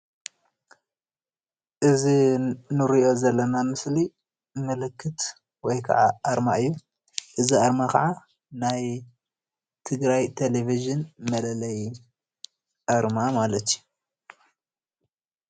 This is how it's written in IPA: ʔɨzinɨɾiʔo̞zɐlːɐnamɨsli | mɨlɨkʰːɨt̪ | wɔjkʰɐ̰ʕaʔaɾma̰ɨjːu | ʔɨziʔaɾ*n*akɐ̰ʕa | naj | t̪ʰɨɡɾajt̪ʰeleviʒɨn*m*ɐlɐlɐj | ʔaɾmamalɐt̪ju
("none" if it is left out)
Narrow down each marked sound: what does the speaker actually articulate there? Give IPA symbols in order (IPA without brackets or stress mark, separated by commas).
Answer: m, m